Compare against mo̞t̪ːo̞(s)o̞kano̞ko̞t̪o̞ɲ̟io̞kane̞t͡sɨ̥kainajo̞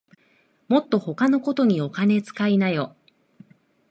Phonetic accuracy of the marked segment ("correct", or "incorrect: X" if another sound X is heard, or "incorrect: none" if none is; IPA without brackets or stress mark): incorrect: h